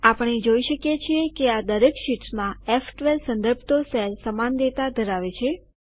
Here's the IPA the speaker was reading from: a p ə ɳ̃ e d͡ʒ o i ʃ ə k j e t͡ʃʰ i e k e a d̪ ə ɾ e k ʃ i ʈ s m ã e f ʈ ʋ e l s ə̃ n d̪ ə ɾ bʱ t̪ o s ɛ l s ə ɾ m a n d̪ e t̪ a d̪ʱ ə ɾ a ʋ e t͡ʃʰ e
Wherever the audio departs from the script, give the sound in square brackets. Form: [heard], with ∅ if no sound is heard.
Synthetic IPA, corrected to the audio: a p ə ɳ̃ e d͡ʒ o i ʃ ə k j e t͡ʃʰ i e k e a d̪ ə ɾ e k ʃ i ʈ s m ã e f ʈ ʋ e l s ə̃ n d̪ ə ɾ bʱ t̪ o s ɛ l s ə [∅] m a n d̪ e t̪ a d̪ʱ ə ɾ a ʋ e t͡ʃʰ e